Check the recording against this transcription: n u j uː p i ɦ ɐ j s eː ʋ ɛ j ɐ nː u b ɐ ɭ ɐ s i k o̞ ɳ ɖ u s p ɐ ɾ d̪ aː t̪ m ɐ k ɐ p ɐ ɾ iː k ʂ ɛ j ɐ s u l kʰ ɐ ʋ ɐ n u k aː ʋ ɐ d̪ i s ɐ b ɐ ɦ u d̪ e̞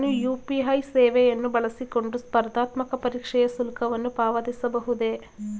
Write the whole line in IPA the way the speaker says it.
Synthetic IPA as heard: n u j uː p i ɦ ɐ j s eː ʋ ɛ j ɐ nː u b ɐ ɭ ɐ s i k o̞ ɳ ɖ u s p ɐ ɾ d̪ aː t̪ m ɐ k ɐ p ɐ ɾ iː k ʂ ɛ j ɐ s u l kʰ ɐ ʋ ɐ nː u p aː ʋ ɐ d̪ i s ɐ b ɐ ɦ u d̪ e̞

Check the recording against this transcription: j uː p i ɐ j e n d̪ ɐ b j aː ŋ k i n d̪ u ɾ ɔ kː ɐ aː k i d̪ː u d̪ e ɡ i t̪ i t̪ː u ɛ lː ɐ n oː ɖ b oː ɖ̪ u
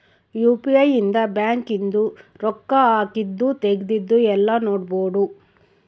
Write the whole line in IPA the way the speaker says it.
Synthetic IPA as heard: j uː p i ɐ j i n d̪ ɐ b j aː ŋ k i n d̪ u ɾ ɔ kː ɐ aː k i d̪ː u t̪ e ɡ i d̪ i d̪ː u ɛ lː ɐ n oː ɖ b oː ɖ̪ u

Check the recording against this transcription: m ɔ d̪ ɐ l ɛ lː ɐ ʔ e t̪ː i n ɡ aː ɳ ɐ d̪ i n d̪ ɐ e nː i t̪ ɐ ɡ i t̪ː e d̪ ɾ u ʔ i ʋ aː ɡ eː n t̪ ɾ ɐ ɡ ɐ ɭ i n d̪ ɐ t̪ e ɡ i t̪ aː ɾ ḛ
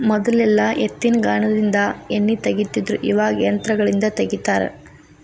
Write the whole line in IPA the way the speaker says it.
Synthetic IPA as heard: m ɔ d̪ ɐ l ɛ lː ɐ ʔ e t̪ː i n ɡ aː ɳ ɐ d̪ i n d̪ ɐ e nː i t̪ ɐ ɡ i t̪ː i d̪ ɾ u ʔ i ʋ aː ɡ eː n t̪ ɾ ɐ ɡ ɐ ɭ i n d̪ ɐ t̪ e ɡ i t̪ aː ɾ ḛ

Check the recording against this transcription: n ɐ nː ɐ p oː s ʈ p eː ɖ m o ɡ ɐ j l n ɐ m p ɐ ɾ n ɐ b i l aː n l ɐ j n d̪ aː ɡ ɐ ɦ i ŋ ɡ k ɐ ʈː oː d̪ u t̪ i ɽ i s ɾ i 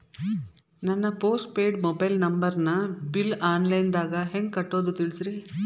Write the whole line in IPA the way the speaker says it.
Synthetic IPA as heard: n ɐ nː ɐ p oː s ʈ p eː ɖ m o b ɐ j l n ɐ m b ɐ ɾ n ɐ b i l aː n l ɐ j n d̪ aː ɡ ɐ ɦ e ŋ ɡ k ɐ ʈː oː d̪ u t̪ i ɭ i s ɾ i

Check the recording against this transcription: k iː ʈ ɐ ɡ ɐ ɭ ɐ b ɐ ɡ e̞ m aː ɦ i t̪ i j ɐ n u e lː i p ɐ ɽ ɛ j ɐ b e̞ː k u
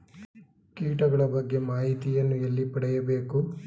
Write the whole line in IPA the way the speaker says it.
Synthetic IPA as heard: k iː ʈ ɐ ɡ ɐ ɭ ɐ b ɐ ɡː e̞ m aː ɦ i t̪ i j ɐ nː u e lː i p ɐ ɽ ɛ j ɐ b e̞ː k u

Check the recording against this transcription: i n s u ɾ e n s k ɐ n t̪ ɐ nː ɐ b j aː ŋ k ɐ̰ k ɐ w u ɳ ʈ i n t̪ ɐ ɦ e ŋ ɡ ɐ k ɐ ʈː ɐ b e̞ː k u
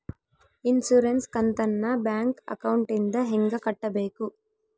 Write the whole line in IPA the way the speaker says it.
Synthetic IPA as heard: i n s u ɾ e n s k ɐ n t̪ ɐ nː ɐ b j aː ŋ k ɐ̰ k ɐ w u ɳ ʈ i n d̪ ɐ ɦ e ŋ ɡ ɐ k ɐ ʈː ɐ b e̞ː k u

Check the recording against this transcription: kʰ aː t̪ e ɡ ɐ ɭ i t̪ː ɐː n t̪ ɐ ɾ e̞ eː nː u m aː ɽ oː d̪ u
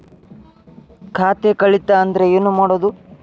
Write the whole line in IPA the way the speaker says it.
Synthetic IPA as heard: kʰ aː t̪ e k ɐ ɭ i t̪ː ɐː n d̪ ɐ ɾ e̞ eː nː u m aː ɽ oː d̪ u

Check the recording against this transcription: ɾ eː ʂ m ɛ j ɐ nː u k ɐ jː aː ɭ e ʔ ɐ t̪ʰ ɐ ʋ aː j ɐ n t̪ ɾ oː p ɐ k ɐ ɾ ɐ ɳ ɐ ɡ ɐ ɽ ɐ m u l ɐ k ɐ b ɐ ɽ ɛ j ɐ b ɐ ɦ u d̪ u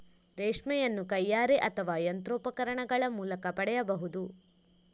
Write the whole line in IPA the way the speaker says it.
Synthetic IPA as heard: ɾ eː ʂ m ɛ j ɐ nː u k ɐ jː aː ɾ e ʔ ɐ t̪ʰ ɐ ʋ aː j ɐ n t̪ ɾ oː p ɐ k ɐ ɾ ɐ ɳ ɐ ɡ ɐ ɭ ɐ m uː l ɐ k ɐ p ɐ ɽ ɛ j ɐ b ɐ ɦ u d̪ u

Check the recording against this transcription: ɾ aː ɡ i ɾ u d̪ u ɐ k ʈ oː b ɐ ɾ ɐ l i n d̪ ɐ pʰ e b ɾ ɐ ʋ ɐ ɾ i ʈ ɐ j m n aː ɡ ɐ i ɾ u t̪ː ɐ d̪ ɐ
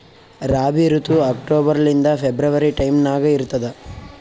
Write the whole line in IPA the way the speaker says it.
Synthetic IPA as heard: ɾ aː b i ɾ u t̪ u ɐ k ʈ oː b ɐ ɾ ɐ l i n d̪ ɐ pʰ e b ɾ ɐ ʋ ɐ ɾ i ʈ ɐ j m n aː ɡ ɐ i ɾ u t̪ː ɐ d̪ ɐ

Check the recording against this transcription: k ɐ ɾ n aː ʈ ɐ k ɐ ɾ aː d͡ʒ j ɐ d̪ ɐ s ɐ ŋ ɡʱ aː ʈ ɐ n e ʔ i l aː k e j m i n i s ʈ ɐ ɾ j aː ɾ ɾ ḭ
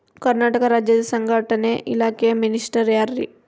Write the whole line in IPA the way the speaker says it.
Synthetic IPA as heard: k ɐ ɾ n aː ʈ ɐ k ɐ ɾ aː d͡ʒ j ɐ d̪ ɐ s ɐ ŋ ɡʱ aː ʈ ɐ n e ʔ i l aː k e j m i n i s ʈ ɐ ɾ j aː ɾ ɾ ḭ

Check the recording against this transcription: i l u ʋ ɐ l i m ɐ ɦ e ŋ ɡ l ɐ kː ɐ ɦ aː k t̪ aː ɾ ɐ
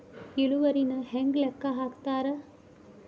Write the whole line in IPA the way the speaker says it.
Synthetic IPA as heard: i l u ʋ ɐ ɾ i n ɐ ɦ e ŋ ɡ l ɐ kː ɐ ɦ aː k t̪ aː ɾ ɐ

